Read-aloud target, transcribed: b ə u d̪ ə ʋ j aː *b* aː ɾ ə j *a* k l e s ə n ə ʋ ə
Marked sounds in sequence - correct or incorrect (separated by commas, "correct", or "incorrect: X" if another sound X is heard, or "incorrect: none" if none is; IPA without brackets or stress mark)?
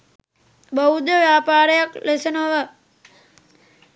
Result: incorrect: p, correct